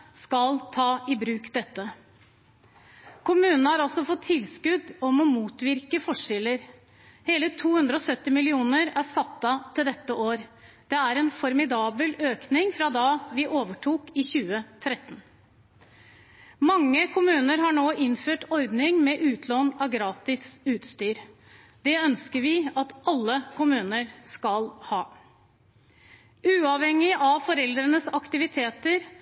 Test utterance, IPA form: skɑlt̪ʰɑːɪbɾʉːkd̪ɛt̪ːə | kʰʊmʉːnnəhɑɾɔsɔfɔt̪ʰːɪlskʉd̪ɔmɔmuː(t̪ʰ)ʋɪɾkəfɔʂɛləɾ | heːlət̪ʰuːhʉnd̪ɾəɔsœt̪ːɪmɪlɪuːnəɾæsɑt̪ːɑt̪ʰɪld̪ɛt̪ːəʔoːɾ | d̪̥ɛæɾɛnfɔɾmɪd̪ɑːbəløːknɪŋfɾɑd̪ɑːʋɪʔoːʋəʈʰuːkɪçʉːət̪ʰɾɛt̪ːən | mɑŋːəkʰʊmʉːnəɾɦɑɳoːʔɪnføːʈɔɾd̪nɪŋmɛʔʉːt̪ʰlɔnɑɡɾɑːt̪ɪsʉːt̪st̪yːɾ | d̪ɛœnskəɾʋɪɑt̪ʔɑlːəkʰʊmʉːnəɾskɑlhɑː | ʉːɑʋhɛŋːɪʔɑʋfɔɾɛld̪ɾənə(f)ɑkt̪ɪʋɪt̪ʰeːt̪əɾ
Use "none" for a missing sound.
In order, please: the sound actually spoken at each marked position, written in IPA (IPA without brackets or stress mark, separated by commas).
t̪, s